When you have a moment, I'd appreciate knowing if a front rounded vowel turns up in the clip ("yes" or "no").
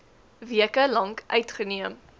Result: yes